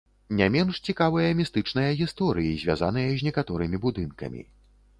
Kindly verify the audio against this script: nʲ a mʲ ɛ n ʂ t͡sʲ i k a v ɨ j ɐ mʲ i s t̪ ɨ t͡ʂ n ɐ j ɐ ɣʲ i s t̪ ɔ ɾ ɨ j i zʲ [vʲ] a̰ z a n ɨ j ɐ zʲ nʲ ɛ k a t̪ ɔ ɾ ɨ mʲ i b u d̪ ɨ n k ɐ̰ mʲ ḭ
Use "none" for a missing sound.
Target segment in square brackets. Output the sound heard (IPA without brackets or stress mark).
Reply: vʲ